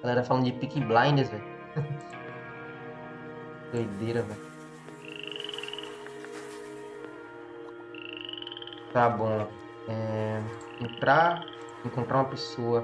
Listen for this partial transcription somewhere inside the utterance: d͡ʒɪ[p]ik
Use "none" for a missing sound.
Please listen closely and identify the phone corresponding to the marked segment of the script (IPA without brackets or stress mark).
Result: p